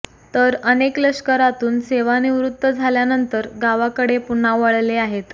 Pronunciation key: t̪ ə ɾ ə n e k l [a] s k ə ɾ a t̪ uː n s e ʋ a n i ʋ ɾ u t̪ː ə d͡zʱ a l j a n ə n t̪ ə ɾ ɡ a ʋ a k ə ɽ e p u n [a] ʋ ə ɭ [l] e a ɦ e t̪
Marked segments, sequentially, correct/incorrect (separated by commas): incorrect, correct, correct